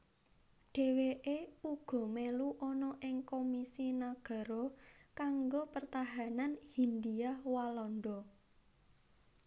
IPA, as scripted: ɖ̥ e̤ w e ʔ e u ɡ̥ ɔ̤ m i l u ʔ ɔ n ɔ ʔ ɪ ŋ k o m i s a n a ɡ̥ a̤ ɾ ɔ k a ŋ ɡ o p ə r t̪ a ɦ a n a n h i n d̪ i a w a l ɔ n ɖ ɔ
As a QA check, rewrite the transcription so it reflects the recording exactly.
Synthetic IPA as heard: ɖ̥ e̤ w e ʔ e u ɡ̥ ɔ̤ m e l u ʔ ɔ n ɔ ʔ ɪ ŋ k o m i s i n a ɡ̥ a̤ ɾ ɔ k a ŋ ɡ o p ə r t̪ a ɦ a n a n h i n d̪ i a w a l ɔ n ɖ ɔ

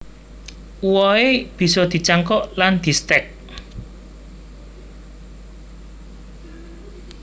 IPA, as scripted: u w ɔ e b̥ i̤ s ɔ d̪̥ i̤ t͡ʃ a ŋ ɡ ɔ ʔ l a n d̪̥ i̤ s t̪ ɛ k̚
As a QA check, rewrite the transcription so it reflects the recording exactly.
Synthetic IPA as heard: u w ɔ e b̥ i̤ s ɔ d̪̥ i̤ t͡ʃ a ŋ k ɔ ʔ l a n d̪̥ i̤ s t̪ ɛ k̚

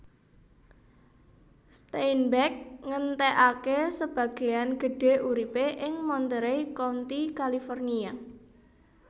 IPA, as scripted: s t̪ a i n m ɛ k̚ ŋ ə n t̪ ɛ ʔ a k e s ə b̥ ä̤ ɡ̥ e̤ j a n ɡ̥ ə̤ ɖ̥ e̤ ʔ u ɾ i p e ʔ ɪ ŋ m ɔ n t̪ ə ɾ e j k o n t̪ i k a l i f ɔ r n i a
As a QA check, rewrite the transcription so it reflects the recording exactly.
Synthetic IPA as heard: s t̪ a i n b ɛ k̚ ŋ ə n t̪ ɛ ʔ a k e s ə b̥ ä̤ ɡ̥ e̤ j a n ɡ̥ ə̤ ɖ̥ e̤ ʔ u ɾ i p e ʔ ɪ ŋ m ɔ n t̪ ə ɾ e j k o n t̪ i k a l i f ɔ r n i a

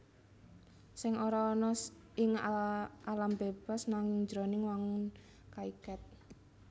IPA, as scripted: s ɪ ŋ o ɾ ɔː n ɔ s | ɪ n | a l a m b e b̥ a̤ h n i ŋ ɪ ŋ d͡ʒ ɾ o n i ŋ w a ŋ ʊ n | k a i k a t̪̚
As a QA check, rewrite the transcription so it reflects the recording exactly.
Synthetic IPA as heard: s ɪ ŋ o ɾ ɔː n ɔ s | ɪ ŋ | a l a m b e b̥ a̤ s n a ŋ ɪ ŋ d͡ʒ ɾ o n ɪ ŋ w a ŋ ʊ n | k a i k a t̪̚

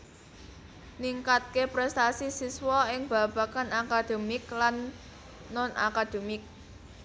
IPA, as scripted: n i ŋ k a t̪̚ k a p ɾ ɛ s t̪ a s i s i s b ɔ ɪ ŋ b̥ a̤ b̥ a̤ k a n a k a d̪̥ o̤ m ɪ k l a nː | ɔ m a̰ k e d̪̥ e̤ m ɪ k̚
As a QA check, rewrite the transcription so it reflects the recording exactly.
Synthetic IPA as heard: n i ŋ k a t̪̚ k e p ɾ ɛ s t̪ a s i s i s w ɔ ɪ ŋ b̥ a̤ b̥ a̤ k a n a k a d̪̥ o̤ m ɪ k l a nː | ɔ n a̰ k a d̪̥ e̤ m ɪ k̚

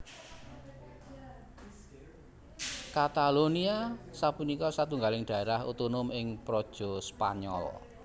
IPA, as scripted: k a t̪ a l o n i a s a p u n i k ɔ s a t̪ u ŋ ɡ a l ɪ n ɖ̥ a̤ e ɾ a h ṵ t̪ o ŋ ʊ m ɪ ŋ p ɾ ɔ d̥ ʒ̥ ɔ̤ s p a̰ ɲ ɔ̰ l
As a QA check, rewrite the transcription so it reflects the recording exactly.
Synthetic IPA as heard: k a t̪ a l o n i a s a p u n i k ɔ s a t̪ u ŋ ɡ a l ɪ ŋ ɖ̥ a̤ e ɾ a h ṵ t̪ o n ʊ m ɪ ŋ p ɾ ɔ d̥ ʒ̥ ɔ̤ s p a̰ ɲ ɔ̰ l

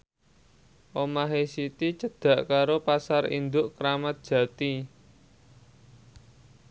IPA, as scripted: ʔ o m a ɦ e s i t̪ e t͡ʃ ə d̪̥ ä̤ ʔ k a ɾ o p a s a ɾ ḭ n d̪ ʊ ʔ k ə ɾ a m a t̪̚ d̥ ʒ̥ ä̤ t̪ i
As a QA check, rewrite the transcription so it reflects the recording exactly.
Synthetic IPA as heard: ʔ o m a ɦ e s i t̪ i t͡ʃ ə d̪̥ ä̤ ʔ k a ɾ o p a s a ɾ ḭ n d̪ ʊ ʔ k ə ɾ a m a t̪̚ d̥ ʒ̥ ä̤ t̪ i

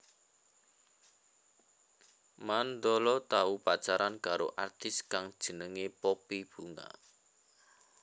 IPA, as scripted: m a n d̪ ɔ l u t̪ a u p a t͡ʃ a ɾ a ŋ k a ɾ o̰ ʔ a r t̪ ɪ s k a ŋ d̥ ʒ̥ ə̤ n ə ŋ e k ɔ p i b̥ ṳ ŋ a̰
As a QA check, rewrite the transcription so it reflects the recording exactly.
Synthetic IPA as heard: m a n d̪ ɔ l ɔ t̪ a u p a t͡ʃ a ɾ a n k a ɾ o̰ ʔ a r t̪ ɪ s k a ŋ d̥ ʒ̥ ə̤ n ə ŋ e p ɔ p i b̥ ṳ ŋ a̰

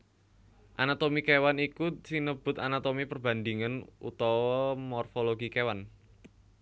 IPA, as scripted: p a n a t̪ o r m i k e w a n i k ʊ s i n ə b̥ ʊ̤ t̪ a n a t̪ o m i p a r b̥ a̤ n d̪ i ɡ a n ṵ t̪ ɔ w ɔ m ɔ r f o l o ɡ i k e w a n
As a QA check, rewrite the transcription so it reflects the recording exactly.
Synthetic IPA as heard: ʔ a n a t̪ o m i k e w a n i k u s i n ə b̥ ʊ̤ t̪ a n a t̪ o m i p ə r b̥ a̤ n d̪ i ŋ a n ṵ t̪ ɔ w ɔ m ɔ r f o l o ɡ i k e w a n

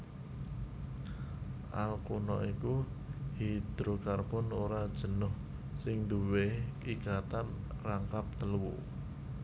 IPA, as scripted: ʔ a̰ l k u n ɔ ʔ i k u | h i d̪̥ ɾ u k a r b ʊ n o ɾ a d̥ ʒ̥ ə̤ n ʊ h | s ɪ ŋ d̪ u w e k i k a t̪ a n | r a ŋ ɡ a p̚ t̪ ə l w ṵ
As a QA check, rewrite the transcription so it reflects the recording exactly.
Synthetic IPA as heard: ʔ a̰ l k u n ɔ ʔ i k u | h i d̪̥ ɾ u k a r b ʊ n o ɾ a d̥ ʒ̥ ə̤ n ʊ h | s ɪ ŋ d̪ u w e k i k a t̪ a n | r a ŋ k a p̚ t̪ ə l w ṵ

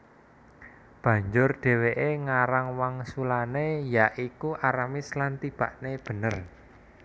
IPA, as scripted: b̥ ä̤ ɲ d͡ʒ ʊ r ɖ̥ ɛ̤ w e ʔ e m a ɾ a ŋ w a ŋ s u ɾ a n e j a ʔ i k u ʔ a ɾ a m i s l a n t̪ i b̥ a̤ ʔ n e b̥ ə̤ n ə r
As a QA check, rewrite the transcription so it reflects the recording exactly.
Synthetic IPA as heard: b̥ ä̤ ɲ d͡ʒ ʊ r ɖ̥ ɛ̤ w e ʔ e ŋ a ɾ a ŋ w a ŋ s u l a n e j a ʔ i k u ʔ a ɾ a m i s l a n t̪ i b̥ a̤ ʔ n e b̥ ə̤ n ə r

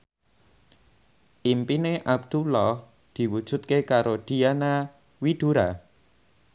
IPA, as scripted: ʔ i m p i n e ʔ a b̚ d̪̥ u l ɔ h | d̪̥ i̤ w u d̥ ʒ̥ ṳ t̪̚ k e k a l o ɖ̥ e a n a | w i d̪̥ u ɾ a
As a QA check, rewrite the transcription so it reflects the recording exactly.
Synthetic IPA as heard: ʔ i m p i n e ʔ a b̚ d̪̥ u l ɔ h | d̪̥ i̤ w u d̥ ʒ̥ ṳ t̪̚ k e k a ɾ o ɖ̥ i a n a | w i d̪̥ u ɾ a

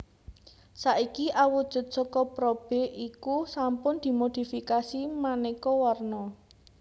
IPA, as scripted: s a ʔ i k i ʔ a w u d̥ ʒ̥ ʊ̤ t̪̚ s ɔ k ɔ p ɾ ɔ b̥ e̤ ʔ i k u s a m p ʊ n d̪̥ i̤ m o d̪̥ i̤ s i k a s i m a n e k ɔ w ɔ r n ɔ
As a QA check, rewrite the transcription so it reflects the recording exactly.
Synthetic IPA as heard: s a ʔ i k i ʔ a w u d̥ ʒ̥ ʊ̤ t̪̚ s ɔ k ɔ p ɾ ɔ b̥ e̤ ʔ i k u s a m p ʊ n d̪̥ i̤ m o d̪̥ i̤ f i k a s i m a n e k ɔ w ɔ r n ɔ

